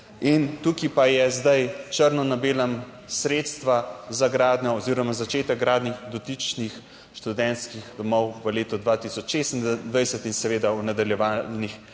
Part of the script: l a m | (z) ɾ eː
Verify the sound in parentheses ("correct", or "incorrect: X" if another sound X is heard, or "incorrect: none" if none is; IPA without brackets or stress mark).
incorrect: s